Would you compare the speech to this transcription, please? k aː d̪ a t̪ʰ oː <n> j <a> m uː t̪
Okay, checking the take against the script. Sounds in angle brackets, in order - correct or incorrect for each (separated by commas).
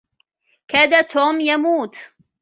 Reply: incorrect, correct